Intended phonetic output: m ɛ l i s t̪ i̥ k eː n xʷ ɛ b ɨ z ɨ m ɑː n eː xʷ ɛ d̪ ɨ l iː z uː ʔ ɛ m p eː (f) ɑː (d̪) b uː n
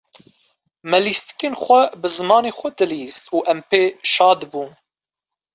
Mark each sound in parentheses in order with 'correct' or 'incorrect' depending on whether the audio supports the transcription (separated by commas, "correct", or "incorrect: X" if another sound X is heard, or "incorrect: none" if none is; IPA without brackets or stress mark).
incorrect: ʃ, correct